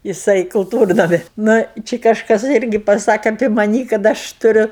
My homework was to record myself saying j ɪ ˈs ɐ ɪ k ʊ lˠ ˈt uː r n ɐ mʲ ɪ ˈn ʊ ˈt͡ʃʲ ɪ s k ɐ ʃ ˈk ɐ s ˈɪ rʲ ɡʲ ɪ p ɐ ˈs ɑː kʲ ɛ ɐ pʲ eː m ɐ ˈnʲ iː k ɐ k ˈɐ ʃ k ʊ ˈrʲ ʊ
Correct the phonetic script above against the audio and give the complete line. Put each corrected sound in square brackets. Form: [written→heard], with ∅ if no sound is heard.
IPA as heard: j ɪ ˈs ɐ ɪ k ʊ lˠ ˈt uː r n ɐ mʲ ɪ ˈn ʊ ˈt͡ʃʲ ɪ [s→∅] k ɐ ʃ ˈk ɐ s ˈɪ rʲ ɡʲ ɪ p ɐ ˈs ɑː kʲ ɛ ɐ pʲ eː m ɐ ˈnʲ iː k ɐ [k→t] ˈɐ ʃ [k→t] ʊ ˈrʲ ʊ

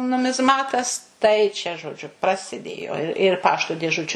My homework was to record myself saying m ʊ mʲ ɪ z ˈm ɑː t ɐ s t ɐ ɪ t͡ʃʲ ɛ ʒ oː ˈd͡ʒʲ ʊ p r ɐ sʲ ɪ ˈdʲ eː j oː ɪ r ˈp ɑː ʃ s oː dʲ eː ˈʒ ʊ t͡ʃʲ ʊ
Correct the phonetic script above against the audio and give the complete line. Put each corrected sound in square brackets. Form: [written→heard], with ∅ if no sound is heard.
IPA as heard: [m→n] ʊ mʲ ɪ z ˈm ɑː t ɐ s t ɐ ɪ t͡ʃʲ ɛ ʒ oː ˈd͡ʒʲ ʊ p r ɐ sʲ ɪ ˈdʲ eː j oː ɪ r ˈp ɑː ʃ [s→t] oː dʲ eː ˈʒ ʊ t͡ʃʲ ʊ

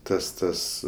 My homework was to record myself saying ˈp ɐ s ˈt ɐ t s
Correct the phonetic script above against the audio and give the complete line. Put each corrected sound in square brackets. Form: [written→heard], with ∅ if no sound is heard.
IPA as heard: [ˈp→ˈt] ɐ s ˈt ɐ [t→∅] s

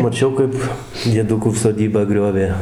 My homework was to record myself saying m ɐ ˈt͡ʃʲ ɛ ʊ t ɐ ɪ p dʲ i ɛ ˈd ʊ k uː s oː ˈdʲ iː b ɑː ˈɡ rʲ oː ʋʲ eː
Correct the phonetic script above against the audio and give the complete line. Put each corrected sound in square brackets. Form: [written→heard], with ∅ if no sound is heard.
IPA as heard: m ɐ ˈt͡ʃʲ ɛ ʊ [t→k] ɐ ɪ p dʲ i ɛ ˈd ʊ k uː s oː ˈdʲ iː b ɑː ˈɡ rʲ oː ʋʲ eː

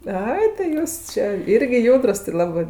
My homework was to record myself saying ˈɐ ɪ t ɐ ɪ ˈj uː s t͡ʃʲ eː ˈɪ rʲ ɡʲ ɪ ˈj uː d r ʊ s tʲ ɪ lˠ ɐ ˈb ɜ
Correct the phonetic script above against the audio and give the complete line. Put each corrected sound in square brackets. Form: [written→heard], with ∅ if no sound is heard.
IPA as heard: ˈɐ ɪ t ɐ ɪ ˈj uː s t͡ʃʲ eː ˈɪ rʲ ɡʲ ɪ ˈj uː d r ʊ s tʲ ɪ lˠ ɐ ˈb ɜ

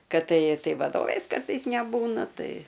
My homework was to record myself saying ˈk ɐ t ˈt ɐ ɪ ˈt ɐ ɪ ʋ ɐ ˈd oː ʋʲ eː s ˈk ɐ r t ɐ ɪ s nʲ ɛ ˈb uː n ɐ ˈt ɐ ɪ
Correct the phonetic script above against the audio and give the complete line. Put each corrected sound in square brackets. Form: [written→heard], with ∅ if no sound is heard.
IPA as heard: ˈk ɐ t ˈt ɐ ɪ ˈt ɐ ɪ ʋ ɐ ˈd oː ʋʲ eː s ˈk ɐ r t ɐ ɪ s nʲ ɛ ˈb uː n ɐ ˈt ɐ ɪ

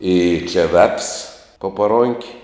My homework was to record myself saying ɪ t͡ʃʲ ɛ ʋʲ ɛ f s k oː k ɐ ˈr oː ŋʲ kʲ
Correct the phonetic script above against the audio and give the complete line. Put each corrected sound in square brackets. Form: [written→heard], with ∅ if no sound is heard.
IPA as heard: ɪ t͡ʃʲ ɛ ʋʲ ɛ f s [k→p] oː [k→p] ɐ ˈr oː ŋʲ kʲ

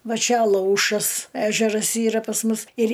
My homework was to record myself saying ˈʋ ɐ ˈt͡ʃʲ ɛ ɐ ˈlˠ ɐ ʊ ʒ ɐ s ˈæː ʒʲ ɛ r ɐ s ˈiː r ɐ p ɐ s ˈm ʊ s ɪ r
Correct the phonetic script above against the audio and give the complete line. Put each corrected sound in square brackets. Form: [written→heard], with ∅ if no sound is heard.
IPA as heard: ˈʋ ɐ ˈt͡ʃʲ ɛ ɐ ˈlˠ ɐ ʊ [ʒ→ʃ] ɐ s ˈæː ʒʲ ɛ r ɐ s ˈiː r ɐ p ɐ s ˈm ʊ s ɪ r

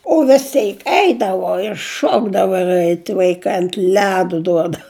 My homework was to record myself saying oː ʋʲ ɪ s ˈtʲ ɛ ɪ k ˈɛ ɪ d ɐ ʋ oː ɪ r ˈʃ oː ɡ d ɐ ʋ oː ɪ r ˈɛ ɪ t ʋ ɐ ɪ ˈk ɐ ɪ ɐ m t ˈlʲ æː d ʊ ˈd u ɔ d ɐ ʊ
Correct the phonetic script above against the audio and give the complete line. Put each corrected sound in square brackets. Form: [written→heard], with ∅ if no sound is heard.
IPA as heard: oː ʋʲ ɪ s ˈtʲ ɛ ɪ k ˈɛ ɪ d ɐ ʋ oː ɪ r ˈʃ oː ɡ d ɐ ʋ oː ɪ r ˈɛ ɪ t ʋ ɐ ɪ ˈk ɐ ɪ ɐ [m→n] t ˈlʲ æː d ʊ ˈd u ɔ d ɐ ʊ

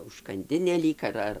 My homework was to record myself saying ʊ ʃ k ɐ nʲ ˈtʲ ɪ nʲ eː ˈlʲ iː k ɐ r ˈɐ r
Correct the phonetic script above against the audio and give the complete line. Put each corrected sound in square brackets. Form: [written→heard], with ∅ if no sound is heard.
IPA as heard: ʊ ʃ k ɐ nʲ [ˈtʲ→ˈdʲ] ɪ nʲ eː ˈlʲ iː k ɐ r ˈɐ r

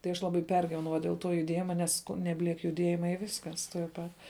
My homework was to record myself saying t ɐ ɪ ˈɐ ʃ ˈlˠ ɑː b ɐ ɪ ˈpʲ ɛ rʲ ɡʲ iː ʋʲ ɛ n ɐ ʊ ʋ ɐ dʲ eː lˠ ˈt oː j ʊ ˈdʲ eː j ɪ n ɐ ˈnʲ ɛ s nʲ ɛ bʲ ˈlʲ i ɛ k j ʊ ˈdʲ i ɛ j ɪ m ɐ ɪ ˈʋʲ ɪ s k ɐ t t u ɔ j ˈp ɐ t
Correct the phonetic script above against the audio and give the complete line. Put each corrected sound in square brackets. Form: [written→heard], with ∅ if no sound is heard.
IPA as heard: t ɐ ɪ ˈɐ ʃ ˈlˠ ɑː b ɐ ɪ ˈpʲ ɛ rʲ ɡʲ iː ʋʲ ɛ n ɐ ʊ ʋ ɐ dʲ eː lˠ ˈt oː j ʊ ˈdʲ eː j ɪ [n→m] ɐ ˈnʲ ɛ s nʲ ɛ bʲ ˈlʲ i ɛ k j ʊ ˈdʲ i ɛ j ɪ m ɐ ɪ ˈʋʲ ɪ s k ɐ [t→s] t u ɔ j ˈp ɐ t

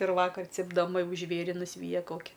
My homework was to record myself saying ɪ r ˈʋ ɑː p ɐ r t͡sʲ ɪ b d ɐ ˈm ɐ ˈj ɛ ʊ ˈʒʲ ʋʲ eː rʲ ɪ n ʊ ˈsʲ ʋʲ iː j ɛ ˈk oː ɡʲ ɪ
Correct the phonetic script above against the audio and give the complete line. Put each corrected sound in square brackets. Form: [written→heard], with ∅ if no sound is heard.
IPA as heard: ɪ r ˈʋ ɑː [p→k] ɐ r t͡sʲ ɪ b d ɐ ˈm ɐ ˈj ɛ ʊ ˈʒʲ ʋʲ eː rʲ ɪ n ʊ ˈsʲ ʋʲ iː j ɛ ˈk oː [ɡʲ→kʲ] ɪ

